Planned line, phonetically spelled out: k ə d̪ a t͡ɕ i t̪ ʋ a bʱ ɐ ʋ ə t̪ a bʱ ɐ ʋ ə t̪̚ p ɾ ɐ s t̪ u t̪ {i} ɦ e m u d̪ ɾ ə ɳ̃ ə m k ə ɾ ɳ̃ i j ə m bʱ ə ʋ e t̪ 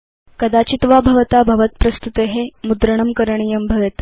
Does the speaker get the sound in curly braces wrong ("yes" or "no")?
yes